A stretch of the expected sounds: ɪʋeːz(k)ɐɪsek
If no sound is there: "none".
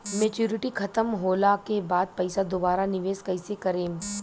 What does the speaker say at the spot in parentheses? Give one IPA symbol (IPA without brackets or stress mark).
k